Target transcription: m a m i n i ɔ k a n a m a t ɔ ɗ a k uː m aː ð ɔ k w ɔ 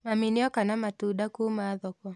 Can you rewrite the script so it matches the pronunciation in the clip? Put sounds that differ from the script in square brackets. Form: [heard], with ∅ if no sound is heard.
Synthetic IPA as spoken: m a m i n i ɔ k a n a m a t [u] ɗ a k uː m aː ð ɔ k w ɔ